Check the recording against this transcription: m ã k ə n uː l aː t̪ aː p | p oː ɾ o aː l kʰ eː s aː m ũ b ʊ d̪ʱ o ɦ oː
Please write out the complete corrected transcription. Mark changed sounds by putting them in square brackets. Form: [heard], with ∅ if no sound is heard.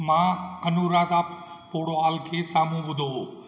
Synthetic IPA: m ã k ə n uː [ɾ] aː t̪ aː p | p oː [ɽ] o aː l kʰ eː s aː m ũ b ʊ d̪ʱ o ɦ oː